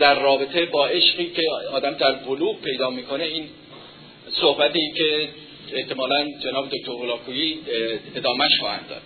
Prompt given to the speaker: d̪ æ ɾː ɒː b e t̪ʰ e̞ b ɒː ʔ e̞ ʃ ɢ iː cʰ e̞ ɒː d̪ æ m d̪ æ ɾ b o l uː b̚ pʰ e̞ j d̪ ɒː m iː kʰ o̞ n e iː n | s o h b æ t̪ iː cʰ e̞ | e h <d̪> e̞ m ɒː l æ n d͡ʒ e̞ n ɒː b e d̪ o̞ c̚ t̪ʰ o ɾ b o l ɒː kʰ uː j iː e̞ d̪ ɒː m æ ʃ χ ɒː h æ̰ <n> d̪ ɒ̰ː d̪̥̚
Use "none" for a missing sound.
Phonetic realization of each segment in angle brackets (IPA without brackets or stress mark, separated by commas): t̪, n